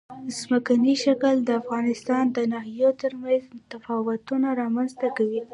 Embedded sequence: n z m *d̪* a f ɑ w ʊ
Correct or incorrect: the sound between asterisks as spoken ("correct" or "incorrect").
incorrect